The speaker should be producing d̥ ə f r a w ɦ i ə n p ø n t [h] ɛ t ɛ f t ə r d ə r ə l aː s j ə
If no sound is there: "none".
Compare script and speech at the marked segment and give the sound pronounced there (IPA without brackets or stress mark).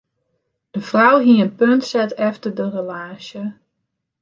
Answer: s